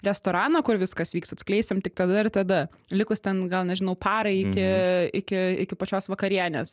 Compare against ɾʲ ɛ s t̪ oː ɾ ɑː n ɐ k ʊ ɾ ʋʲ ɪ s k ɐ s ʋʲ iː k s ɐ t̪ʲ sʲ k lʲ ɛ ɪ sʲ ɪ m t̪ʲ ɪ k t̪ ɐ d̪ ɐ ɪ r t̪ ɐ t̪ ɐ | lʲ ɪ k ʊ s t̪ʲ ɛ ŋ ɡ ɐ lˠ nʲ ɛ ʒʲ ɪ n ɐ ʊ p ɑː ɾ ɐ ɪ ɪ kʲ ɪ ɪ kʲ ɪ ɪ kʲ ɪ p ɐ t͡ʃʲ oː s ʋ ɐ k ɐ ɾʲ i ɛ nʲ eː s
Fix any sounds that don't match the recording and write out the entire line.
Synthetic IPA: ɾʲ ɛ s t̪ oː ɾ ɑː n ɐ k ʊ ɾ ʋʲ ɪ s k ɐ s ʋʲ iː k s ɐ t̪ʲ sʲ k lʲ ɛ ɪ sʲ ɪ m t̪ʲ ɪ k t̪ ɐ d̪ ɐ ɪ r t̪ ɐ d̪ ɐ | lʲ ɪ k ʊ s t̪ʲ ɛ n ɡ ɐ lˠ nʲ ɛ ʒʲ ɪ n ɐ ʊ p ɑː ɾ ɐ ɪ ɪ kʲ ɪ ɪ kʲ ɪ ɪ kʲ ɪ p ɐ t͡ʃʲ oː s ʋ ɐ k ɐ ɾʲ i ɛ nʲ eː s